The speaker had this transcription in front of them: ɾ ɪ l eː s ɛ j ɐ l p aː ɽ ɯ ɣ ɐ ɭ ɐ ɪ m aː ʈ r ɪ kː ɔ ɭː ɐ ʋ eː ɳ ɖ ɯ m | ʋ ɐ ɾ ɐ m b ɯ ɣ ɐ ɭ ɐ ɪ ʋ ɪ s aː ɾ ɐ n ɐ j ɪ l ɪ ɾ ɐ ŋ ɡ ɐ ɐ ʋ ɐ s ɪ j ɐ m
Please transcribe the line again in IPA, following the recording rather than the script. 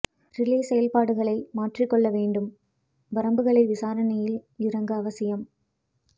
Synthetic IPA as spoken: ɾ ɪ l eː s ɛ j ɐ l p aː ɽ ɯ ɣ ɐ ɭ ɐ ɪ m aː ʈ r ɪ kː ɔ ɭː ɐ ʋ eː ɳ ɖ ɯ m | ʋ ɐ ɾ ɐ m b ɯ ɣ ɐ ɭ ɐ ɪ ʋ ɪ s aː ɾ ɐ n ɐ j ɪ l ɪ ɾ ɐ ŋ ɡ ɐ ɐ ʋ ɐ s ɪ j ɐ m

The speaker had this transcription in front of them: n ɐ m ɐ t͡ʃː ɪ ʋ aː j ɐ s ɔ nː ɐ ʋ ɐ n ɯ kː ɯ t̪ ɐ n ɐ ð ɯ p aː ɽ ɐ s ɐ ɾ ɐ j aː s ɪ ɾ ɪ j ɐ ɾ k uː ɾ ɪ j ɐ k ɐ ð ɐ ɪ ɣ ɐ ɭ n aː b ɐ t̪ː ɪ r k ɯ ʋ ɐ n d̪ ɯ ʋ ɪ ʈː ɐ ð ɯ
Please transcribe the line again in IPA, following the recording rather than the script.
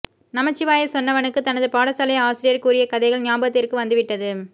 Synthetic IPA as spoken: n ɐ m ɐ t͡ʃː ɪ ʋ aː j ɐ s ɔ nː ɐ ʋ ɐ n ɯ kː ɯ t̪ ɐ n ɐ ð ɯ p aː ɽ ɐ s ɐ l ɐ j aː s ɪ ɾ ɪ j ɐ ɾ k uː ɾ ɪ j ɐ k ɐ ð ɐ ɪ ɣ ɐ ɭ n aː b ɐ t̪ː ɪ r k ɯ ʋ ɐ n d̪ ɯ ʋ ɪ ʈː ɐ ð ɯ

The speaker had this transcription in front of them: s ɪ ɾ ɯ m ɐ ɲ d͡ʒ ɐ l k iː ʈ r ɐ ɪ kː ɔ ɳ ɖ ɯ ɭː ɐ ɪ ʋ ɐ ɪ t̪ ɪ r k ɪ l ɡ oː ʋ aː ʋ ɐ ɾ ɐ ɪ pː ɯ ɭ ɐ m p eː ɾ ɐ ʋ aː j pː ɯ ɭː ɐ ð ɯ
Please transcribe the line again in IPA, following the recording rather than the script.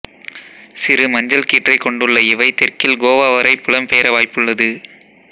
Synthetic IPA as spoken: s ɪ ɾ ɯ m ɐ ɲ d͡ʒ ɐ l k iː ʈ r ɐ ɪ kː ɔ ɳ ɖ ɯ ɭː ɐ ɪ ʋ ɐ ɪ t̪ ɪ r k ɪ l ɡ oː ʋ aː ʋ ɐ ɾ ɐ ɪ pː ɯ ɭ ɐ m p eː ɾ ɐ ʋ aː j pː ɯ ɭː ɐ ð ɯ

